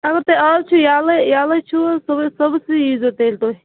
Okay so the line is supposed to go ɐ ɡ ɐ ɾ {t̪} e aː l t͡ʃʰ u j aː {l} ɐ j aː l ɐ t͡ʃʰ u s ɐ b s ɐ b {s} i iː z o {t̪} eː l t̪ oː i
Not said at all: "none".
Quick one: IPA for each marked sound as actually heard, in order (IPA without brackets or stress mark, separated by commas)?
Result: t̪, l, s, t̪